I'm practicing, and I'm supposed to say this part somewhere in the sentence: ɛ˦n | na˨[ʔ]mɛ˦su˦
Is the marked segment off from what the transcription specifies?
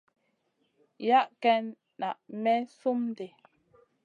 no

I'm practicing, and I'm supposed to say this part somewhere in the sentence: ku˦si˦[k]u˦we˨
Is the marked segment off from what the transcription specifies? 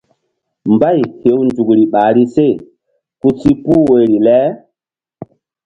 yes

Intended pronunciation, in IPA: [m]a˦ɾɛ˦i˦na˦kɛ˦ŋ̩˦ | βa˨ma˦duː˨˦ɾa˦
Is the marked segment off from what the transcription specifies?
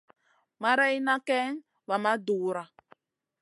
no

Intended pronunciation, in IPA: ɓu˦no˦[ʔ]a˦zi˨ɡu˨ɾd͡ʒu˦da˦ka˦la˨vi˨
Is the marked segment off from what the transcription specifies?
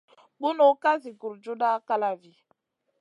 yes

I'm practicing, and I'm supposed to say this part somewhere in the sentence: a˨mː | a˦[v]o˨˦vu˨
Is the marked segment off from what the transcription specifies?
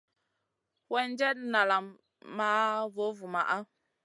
no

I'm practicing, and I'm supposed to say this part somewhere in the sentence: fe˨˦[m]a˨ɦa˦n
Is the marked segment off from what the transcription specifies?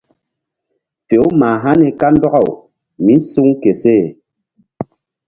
no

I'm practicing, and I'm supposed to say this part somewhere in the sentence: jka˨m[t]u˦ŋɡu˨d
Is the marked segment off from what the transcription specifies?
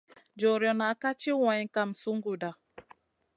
yes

